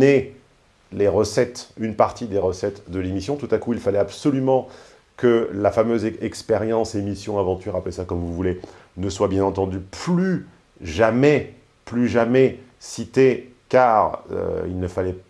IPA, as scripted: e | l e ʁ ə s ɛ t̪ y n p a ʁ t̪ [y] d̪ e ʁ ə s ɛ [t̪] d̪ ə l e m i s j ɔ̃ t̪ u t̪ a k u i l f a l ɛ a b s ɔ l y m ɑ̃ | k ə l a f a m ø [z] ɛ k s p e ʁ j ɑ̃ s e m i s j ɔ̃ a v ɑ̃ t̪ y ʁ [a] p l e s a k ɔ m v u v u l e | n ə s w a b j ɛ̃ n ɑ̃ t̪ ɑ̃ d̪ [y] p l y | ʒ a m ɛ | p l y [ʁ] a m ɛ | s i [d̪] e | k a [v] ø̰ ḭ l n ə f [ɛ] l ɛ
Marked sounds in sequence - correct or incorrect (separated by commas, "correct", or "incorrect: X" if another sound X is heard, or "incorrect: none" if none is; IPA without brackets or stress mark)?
incorrect: i, correct, correct, correct, correct, incorrect: ʒ, incorrect: t̪, incorrect: ʁ, incorrect: a